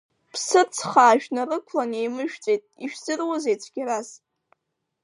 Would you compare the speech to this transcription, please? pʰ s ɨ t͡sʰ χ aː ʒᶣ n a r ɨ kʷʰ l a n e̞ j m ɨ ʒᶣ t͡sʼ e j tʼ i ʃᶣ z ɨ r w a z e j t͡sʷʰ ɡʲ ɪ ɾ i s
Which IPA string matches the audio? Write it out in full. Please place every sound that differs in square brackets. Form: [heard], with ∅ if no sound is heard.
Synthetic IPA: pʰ s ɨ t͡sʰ χ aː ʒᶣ n a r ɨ kʷʰ l a n e̞ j m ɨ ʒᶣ t͡sʼ e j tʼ i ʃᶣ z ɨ r w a z e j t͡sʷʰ ɡʲ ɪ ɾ [a] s